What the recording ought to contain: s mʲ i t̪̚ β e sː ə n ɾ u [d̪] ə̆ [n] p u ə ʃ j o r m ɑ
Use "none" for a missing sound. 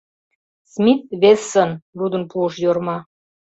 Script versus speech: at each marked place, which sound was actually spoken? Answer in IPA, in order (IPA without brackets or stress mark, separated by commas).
d̪, n